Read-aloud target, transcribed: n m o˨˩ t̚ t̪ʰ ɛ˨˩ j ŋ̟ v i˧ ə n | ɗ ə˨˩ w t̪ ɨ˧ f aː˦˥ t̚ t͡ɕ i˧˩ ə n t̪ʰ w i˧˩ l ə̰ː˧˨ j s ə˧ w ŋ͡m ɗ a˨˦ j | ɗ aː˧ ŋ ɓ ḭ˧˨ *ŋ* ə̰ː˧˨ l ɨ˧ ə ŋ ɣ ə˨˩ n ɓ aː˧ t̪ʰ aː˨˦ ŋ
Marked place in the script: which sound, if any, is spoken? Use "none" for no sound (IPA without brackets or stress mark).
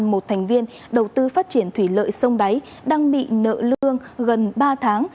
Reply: n